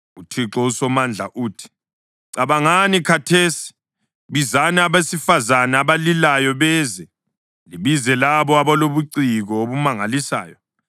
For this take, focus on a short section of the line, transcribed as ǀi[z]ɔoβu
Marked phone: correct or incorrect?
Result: incorrect